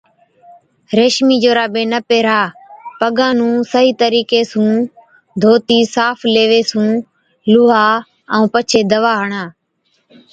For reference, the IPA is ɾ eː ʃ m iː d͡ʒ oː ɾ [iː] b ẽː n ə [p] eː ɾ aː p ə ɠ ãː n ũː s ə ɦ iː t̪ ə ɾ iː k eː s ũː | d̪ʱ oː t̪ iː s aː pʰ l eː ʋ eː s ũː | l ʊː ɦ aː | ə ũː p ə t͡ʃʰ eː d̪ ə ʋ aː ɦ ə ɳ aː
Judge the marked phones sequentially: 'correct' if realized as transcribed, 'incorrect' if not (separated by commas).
incorrect, correct